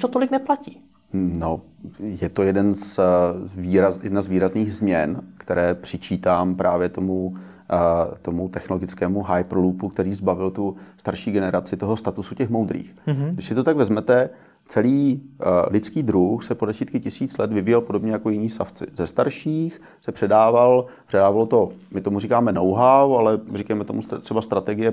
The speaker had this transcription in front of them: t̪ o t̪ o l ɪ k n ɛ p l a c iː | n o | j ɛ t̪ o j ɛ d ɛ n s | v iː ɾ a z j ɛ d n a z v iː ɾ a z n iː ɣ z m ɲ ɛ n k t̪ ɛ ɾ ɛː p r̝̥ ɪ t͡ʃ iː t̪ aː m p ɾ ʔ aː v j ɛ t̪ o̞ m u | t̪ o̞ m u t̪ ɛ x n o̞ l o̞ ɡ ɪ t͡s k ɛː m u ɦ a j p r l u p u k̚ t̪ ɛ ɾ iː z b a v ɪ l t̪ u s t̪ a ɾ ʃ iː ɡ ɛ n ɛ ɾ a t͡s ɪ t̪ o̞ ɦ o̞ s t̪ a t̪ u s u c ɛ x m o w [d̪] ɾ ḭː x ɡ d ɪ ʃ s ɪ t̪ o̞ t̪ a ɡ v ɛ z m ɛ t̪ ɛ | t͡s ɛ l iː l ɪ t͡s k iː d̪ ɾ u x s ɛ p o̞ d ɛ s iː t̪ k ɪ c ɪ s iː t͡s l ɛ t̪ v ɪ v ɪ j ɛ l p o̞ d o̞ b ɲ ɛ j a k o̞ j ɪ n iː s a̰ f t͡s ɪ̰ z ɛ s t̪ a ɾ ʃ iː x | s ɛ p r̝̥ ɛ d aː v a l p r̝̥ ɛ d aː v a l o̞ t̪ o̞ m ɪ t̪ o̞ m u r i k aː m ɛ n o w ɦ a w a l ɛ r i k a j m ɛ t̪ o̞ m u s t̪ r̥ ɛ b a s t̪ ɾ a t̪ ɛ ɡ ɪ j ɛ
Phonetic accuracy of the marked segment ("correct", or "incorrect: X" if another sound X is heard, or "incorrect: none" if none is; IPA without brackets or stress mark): correct